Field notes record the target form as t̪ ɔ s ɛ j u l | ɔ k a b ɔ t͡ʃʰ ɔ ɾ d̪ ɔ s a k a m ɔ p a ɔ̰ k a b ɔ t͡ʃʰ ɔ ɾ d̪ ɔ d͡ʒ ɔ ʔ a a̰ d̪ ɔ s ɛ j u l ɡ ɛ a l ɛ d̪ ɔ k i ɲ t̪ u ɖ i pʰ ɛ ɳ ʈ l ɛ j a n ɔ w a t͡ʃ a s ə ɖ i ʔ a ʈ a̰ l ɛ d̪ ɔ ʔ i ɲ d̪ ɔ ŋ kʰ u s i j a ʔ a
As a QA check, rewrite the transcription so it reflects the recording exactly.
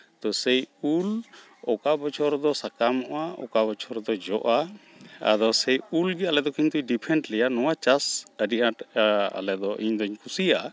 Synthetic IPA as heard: t̪ ɔ s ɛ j u l | ɔ k a b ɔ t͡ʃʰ ɔ ɾ d̪ ɔ s a k a m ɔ ʔ a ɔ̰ k a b ɔ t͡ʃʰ ɔ ɾ d̪ ɔ d͡ʒ ɔ ʔ a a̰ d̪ ɔ s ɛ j u l ɡ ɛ a l ɛ d̪ ɔ k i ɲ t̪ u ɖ i pʰ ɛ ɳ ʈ l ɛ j a n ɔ w a t͡ʃ a s ə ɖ i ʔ a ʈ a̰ l ɛ d̪ ɔ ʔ i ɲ d̪ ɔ ɲ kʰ u s i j a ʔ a